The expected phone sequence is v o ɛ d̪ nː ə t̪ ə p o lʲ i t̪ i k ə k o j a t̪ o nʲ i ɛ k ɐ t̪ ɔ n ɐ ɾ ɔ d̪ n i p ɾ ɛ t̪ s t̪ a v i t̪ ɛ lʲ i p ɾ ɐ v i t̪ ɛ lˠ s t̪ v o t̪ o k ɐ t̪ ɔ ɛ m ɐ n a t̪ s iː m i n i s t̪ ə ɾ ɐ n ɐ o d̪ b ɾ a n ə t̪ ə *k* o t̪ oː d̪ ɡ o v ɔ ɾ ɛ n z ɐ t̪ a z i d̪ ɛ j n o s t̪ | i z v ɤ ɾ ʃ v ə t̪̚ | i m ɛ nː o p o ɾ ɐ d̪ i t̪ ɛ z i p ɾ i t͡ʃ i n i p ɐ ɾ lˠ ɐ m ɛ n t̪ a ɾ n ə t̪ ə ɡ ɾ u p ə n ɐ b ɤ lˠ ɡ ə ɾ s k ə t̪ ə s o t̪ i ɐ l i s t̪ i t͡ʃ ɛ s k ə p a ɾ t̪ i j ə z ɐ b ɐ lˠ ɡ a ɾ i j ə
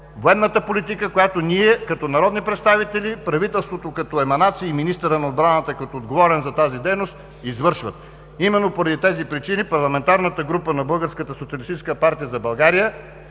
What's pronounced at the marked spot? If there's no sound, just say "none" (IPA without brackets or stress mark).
k